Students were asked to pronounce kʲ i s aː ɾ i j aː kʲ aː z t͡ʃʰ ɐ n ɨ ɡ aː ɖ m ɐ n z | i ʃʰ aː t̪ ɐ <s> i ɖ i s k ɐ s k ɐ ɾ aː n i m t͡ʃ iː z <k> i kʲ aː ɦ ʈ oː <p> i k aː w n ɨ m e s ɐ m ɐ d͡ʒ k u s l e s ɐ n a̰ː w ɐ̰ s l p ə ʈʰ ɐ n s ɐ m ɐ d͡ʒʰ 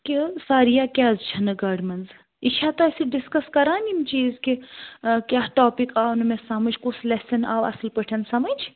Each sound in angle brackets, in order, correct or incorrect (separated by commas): correct, correct, correct